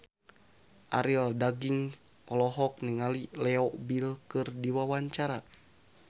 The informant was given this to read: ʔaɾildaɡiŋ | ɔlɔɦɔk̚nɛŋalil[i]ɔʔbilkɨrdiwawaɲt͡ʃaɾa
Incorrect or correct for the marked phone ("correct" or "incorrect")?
incorrect